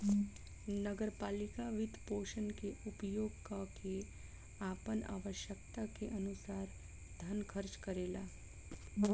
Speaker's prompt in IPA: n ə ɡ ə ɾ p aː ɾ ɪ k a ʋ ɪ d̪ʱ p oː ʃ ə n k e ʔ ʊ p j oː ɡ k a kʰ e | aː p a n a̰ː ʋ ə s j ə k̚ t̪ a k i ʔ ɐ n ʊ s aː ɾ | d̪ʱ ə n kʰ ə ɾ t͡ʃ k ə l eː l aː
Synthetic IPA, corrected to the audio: n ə ɡ ə ɾ p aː l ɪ k a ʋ ɪ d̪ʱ p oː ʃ ə n k e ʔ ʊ p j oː ɡ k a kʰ e | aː p ə n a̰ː ʋ ə ʃ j ə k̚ t̪ a k e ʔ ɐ n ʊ s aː ɾ | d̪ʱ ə n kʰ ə ɾ t͡ʃ k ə ɾ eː l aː

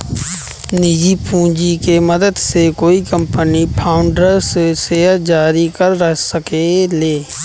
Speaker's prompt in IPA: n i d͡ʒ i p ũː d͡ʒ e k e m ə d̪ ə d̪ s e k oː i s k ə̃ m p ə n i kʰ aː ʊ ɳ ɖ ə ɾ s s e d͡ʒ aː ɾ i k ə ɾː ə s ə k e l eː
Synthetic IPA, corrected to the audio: n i d͡ʒ i p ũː d͡ʒ i k e m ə d̪ ə d̪ s e k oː i k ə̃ m p ə n i pʰ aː ʊ ɳ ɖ ə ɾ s s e d͡ʒ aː ɾ i k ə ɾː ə s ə k e l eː

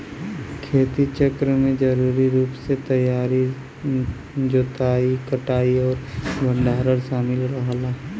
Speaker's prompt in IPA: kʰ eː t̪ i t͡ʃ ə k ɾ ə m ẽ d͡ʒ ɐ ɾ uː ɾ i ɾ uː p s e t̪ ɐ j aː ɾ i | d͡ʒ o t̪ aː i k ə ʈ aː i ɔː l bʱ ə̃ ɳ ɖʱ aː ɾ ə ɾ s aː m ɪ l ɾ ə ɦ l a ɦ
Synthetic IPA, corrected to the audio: kʰ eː t̪ i t͡ʃ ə k ɾ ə m ẽ d͡ʒ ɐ ɾ uː ɾ i ɾ uː p s e t̪ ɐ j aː ɾ i | d͡ʒ o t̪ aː i k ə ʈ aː i ɔː ɾ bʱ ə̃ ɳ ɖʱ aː ɾ ə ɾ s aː m ɪ l ɾ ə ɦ l a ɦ

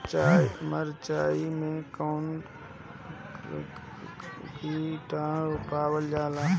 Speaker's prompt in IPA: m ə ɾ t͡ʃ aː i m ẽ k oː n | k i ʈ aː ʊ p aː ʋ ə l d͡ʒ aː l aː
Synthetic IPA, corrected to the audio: m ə ɾ t͡ʃ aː i m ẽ k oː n | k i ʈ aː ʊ p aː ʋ ə l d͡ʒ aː l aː

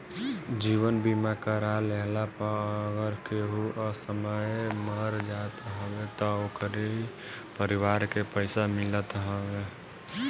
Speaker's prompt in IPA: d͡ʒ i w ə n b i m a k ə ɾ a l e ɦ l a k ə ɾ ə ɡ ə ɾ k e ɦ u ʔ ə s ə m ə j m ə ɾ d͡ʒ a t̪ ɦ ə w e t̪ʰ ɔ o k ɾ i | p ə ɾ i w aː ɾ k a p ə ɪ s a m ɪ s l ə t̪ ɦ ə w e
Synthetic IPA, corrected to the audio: d͡ʒ i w ə n b i m a k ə ɾ a l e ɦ l a p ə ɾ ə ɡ ə ɾ k e ɦ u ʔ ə s ə m ə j m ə ɾ d͡ʒ a t̪ ɦ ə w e t̪ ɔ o k ɾ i | p ə ɾ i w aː ɾ k e p ə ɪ s a m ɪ l ə t̪ ɦ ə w e

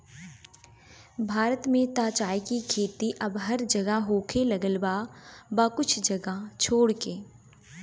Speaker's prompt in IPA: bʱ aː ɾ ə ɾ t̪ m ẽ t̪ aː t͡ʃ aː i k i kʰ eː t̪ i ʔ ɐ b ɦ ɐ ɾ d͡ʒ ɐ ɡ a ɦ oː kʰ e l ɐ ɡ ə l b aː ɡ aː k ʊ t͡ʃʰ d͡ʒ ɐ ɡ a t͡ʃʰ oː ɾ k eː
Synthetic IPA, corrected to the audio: bʱ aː ɾ ə t̪ m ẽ t̪ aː t͡ʃ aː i k i kʰ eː t̪ i ʔ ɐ b ɦ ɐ ɾ d͡ʒ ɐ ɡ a ɦ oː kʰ e l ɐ ɡ ə l b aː b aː k ʊ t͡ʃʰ d͡ʒ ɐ ɡ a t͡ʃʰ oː ɽ k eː

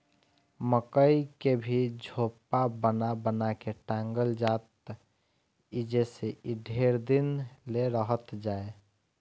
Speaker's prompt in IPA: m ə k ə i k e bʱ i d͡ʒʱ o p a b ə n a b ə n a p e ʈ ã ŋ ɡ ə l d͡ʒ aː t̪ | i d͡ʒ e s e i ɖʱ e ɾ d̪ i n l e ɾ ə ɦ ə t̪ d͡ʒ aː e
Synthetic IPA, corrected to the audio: m ə k ə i k e bʱ i d͡ʒʱ o p a b ə n a b ə n a k e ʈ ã ŋ ɡ ə l d͡ʒ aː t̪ | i d͡ʒ e s e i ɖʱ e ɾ d̪ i n l e ɾ ə ɦ ə t̪ d͡ʒ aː e

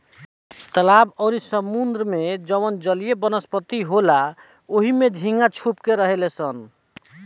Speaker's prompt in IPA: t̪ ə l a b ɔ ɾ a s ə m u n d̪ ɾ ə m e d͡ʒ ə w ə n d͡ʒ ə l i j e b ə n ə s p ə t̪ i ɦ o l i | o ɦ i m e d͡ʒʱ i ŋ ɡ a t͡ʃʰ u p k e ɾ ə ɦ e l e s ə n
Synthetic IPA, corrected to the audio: t̪ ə l a b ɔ ɾ i s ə m u n d̪ ɾ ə m e d͡ʒ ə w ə n d͡ʒ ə l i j e b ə n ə s p ə t̪ i ɦ o l a | o ɦ i m e d͡ʒʱ i ŋ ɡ a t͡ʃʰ u p k e ɾ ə ɦ e l e s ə n

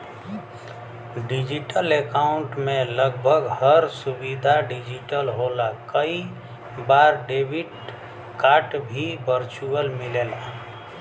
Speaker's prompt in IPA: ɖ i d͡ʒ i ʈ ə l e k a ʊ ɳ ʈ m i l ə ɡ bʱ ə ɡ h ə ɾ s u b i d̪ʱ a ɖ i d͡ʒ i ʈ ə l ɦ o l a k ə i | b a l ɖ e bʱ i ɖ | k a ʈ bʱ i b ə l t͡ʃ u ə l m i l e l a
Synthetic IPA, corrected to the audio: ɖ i d͡ʒ i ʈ ə l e k a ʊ ɳ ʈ m e l ə ɡ bʱ ə ɡ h ə ɾ s u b i d̪ʱ a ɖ i d͡ʒ i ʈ ə l ɦ o l a k ə i | b a ɾ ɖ e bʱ i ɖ | k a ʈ bʱ i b ə ɾ t͡ʃ u ə l m i l e l a

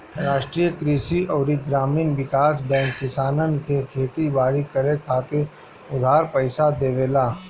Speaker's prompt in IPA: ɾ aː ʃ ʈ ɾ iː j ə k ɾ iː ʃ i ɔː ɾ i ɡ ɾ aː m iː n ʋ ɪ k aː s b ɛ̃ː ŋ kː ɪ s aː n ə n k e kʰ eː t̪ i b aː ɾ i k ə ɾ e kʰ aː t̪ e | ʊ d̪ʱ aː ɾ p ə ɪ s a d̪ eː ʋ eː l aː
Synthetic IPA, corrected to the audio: ɾ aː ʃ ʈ ɾ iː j ə k ɾ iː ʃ i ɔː ɾ i ɡ ɾ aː m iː n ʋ ɪ k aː s b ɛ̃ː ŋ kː ɪ s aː n ə n k e kʰ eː t̪ i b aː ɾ i k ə ɾ e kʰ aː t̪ e | ʊ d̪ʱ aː ɾ p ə ɪ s a d̪ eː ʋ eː l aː

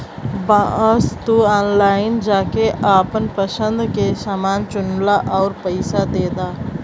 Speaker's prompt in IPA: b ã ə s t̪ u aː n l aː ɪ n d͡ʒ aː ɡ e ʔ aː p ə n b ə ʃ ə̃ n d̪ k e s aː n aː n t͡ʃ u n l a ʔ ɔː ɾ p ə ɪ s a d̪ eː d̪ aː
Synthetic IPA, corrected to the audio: b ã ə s t̪ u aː n l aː ɪ n d͡ʒ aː k e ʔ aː p ə n p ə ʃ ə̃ n d̪ k e s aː m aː n t͡ʃ ʊ n l a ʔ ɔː ɾ p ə ɪ s a d̪ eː d̪ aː

